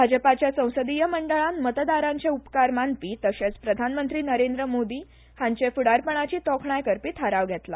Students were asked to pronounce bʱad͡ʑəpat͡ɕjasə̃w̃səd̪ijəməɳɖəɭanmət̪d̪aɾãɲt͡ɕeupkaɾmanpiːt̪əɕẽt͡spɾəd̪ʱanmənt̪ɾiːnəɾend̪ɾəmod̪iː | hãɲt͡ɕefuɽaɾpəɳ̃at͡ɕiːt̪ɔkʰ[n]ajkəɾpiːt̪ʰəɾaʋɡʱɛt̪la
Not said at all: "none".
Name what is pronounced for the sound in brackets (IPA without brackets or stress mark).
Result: ɳ